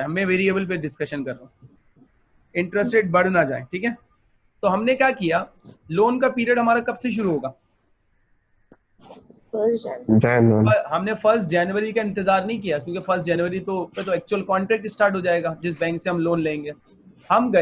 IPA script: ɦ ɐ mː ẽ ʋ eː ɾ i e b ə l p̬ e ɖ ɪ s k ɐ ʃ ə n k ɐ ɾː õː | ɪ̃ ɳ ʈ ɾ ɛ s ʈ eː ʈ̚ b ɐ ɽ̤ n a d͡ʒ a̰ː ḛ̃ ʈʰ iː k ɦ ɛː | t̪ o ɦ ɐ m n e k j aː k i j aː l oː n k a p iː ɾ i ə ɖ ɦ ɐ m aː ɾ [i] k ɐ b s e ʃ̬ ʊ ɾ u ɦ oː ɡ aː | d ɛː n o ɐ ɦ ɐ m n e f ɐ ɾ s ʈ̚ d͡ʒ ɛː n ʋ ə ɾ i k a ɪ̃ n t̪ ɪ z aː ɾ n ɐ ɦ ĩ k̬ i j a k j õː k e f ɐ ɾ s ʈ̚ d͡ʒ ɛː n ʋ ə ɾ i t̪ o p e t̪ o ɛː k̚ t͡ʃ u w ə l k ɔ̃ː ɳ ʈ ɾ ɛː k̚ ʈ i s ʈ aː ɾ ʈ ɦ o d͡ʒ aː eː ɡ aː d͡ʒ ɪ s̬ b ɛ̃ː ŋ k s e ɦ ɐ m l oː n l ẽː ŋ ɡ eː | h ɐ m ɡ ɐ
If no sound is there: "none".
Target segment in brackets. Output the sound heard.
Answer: a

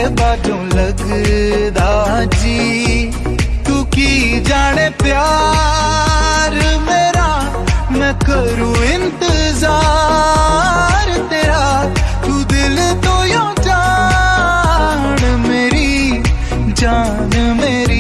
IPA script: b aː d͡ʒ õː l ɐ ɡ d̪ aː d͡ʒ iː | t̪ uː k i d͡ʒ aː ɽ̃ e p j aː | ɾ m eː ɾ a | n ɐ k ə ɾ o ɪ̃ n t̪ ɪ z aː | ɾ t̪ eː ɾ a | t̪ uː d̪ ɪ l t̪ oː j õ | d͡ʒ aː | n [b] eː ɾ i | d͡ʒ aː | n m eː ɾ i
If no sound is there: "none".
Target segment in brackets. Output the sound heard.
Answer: m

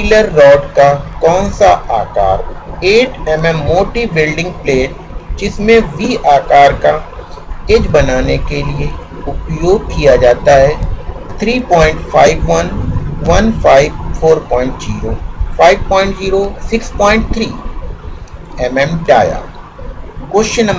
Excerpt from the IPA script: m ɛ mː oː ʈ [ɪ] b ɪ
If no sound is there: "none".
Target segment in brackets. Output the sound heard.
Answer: i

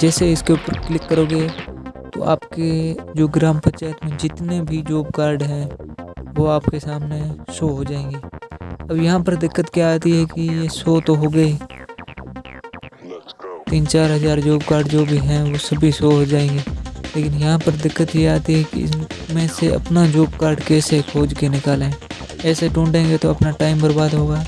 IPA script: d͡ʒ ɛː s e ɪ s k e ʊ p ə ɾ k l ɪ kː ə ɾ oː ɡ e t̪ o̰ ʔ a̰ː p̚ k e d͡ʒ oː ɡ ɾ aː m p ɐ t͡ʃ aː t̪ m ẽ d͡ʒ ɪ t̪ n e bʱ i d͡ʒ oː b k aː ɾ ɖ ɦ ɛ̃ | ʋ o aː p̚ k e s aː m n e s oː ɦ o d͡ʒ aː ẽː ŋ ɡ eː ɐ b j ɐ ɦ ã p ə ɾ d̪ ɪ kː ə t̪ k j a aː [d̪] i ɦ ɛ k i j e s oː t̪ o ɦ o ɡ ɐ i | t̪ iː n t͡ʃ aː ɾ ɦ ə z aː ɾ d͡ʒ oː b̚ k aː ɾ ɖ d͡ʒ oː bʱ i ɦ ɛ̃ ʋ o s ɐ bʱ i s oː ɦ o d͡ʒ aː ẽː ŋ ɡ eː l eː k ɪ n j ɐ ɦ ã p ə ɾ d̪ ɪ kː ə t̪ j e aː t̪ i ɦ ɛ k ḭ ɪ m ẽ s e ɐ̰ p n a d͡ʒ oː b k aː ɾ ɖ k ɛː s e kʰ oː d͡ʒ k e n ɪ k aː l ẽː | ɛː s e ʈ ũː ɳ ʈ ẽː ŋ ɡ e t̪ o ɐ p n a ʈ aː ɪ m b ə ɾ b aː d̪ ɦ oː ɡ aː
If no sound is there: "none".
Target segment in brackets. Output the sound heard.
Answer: t̪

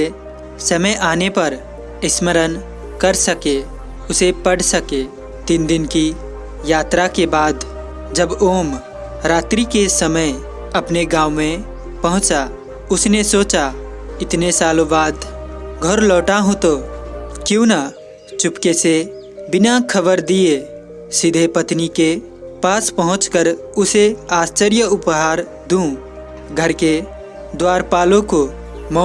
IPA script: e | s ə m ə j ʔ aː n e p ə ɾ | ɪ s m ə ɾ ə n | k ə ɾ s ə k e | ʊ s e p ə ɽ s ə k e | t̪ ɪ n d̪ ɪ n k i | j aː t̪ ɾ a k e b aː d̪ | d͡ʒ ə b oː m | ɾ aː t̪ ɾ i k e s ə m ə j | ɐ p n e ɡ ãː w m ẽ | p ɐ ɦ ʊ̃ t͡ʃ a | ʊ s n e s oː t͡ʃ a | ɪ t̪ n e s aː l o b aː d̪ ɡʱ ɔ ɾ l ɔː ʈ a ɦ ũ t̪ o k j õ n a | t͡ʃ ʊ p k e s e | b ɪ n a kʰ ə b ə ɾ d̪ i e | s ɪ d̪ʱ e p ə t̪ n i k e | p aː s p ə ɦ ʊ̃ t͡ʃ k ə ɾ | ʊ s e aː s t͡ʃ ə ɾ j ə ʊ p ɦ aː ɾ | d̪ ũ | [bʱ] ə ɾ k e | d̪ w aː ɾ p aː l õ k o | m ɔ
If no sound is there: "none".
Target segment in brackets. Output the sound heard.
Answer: ɡʱ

